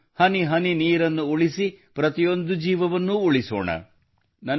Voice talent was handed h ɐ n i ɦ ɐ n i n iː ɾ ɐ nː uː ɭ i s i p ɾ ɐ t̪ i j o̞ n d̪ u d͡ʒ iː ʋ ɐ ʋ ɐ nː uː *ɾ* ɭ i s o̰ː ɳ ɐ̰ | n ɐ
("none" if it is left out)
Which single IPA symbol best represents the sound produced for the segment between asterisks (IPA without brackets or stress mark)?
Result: none